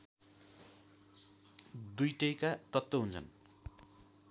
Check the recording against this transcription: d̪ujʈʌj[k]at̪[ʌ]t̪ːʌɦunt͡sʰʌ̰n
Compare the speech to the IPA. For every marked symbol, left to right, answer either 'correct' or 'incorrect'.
correct, correct

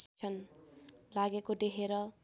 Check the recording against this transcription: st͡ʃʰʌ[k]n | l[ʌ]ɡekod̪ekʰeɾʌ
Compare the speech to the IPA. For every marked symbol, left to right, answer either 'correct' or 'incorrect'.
incorrect: none, incorrect: a

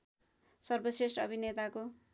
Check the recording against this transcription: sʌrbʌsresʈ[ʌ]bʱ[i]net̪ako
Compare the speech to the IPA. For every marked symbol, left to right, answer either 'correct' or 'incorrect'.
correct, correct

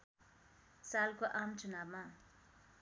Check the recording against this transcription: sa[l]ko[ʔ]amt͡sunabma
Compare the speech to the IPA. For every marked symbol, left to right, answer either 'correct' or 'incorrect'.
correct, correct

